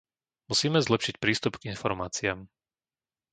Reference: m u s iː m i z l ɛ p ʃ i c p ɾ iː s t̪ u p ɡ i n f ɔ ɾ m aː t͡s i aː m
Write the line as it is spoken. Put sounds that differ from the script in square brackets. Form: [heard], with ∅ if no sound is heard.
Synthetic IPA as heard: m u s iː m [ɛ] z l ɛ p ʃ i c p ɾ iː s t̪ u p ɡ i n f ɔ ɾ m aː t͡s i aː m